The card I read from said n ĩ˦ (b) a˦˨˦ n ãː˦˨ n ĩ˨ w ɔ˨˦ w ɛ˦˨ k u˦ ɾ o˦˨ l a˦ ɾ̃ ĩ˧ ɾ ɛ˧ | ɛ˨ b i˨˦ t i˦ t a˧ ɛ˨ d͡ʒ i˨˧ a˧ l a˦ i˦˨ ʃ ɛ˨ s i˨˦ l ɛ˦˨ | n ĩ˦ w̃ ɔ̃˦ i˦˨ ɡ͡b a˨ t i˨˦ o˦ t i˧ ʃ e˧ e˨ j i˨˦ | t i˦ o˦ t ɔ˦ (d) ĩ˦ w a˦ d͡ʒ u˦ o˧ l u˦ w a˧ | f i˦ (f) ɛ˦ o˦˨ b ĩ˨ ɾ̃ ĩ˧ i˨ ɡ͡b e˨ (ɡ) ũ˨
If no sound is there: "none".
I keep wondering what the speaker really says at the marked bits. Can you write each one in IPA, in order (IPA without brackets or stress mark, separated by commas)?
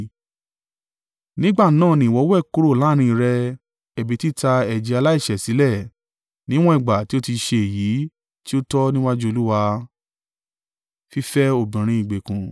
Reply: ɡ͡b, n, f, k